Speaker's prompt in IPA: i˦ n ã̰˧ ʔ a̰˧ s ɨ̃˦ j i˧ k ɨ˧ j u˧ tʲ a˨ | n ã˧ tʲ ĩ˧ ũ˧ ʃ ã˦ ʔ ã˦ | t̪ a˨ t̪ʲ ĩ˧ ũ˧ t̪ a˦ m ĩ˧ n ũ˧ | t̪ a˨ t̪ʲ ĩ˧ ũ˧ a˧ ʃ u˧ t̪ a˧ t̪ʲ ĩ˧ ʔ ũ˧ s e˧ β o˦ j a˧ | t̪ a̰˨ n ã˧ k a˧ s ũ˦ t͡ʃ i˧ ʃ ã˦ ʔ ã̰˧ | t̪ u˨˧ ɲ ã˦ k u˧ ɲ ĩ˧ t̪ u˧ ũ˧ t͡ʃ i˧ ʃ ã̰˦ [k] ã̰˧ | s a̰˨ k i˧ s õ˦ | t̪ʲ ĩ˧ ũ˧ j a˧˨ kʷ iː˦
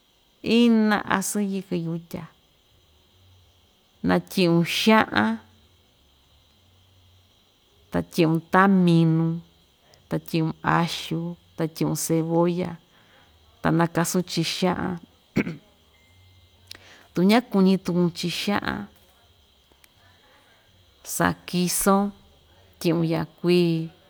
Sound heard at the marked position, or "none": ʔ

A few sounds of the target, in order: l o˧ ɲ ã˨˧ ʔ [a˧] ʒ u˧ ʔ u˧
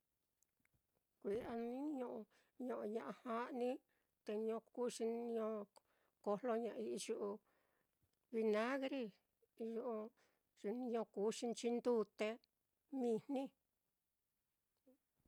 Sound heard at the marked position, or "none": i˧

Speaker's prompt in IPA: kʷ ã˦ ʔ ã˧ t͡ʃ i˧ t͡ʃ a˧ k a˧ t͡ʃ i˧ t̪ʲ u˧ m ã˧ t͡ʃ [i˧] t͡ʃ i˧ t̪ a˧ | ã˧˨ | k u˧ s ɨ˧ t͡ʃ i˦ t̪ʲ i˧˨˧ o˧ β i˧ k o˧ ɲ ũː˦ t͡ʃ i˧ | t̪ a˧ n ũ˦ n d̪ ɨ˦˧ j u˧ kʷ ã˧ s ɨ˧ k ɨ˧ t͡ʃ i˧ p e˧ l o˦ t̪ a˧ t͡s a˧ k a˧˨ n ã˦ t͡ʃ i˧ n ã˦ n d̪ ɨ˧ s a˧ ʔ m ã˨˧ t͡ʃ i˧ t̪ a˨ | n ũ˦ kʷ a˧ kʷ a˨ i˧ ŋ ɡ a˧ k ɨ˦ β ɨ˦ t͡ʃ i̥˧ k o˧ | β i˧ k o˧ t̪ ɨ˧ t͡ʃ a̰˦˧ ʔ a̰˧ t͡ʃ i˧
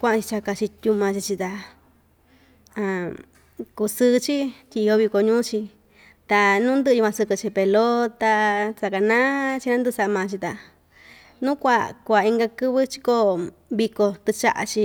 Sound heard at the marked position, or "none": i˧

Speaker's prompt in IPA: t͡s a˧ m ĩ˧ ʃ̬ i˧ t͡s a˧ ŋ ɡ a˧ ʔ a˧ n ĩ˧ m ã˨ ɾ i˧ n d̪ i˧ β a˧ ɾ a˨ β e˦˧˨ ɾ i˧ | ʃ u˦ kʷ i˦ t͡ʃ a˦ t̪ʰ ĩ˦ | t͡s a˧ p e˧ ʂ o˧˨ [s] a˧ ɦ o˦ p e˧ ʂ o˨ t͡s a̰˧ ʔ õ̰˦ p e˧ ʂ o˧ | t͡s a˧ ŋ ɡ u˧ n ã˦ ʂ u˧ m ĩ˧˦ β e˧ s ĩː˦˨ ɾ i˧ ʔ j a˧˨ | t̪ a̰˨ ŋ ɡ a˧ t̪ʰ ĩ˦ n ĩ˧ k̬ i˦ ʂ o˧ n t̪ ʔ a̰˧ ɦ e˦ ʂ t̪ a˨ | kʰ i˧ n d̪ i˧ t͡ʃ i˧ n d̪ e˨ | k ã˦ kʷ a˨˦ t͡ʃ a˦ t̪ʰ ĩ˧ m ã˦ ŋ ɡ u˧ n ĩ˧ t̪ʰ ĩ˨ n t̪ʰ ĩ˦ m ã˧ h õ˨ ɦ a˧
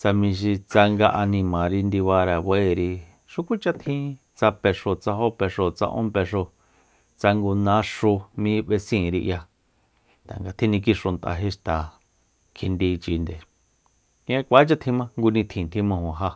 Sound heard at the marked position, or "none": t͡s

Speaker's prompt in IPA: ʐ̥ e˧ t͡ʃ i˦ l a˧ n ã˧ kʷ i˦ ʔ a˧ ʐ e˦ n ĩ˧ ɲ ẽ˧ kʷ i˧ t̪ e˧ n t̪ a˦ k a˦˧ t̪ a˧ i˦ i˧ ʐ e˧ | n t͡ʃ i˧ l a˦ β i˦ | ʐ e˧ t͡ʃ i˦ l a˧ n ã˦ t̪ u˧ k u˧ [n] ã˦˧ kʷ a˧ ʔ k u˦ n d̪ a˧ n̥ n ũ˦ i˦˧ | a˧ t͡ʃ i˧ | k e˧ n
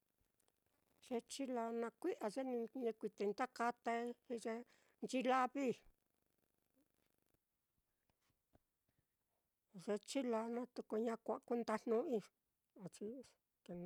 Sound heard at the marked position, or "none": ɲ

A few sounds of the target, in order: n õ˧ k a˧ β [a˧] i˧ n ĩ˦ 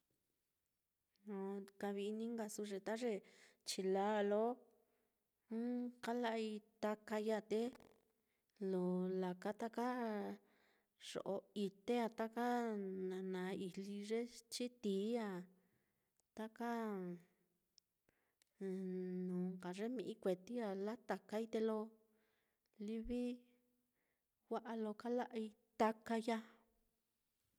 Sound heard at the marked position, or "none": i˧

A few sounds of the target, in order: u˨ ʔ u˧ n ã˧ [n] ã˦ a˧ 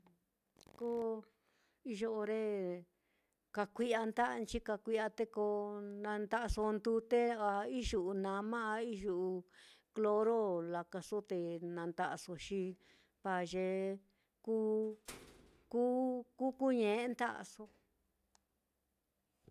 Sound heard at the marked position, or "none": m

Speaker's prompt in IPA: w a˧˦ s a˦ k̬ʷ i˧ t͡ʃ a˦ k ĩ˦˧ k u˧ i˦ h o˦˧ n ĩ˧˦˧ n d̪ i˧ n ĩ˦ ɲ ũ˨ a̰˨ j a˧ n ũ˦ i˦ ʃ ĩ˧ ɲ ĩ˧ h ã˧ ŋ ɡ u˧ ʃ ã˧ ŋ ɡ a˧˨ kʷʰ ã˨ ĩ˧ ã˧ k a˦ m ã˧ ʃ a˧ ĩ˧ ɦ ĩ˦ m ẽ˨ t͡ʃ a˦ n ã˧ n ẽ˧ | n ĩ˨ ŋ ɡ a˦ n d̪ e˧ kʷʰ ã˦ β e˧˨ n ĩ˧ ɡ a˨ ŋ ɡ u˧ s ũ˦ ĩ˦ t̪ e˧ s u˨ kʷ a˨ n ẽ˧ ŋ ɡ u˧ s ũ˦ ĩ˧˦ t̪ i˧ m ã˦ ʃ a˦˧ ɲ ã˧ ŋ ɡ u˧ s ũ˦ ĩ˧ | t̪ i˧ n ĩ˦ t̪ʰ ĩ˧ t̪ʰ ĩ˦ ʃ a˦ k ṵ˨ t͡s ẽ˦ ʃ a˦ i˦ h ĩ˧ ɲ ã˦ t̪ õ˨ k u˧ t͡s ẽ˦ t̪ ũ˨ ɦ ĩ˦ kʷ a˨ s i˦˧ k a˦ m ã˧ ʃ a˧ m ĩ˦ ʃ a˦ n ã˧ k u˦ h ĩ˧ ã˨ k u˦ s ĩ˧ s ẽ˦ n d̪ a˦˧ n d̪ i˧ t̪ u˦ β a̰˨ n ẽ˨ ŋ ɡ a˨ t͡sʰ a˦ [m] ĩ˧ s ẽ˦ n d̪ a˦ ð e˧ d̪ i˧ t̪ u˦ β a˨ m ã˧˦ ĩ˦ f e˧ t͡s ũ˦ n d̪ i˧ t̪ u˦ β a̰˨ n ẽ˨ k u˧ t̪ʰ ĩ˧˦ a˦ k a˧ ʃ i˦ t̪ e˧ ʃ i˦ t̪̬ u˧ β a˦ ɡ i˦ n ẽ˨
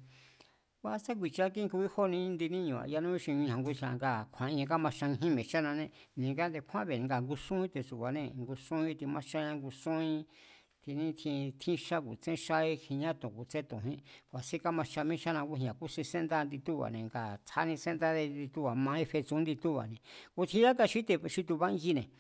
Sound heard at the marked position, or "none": n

